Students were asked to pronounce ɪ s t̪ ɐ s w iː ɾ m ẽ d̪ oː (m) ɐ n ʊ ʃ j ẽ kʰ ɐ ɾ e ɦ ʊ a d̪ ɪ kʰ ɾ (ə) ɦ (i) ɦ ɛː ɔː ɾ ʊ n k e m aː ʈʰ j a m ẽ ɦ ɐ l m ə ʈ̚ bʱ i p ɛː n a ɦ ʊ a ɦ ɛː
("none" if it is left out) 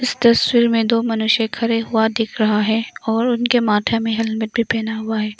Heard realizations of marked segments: m, ɐ, a

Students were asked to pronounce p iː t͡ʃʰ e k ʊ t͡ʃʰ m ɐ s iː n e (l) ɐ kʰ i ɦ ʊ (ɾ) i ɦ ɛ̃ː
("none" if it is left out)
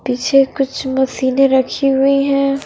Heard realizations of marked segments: ɾ, none

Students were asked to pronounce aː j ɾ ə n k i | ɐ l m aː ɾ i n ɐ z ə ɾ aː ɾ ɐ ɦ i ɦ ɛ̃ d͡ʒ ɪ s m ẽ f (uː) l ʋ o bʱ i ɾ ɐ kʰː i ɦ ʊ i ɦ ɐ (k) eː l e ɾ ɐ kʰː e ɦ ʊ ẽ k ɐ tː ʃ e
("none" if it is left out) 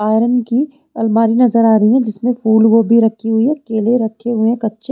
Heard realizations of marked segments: uː, k

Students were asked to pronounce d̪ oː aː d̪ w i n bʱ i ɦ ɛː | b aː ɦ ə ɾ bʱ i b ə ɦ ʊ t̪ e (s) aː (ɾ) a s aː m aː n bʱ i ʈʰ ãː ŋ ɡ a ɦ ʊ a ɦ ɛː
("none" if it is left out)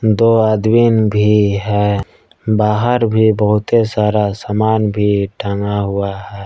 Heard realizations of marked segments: s, ɾ

